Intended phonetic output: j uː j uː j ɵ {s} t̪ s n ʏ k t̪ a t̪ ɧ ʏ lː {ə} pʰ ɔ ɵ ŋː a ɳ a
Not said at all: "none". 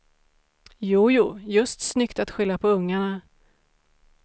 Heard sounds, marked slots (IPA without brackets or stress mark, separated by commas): s, a